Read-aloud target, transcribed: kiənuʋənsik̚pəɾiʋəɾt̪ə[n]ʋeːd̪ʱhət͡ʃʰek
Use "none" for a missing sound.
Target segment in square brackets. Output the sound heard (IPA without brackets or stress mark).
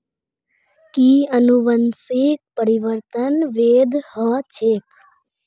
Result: n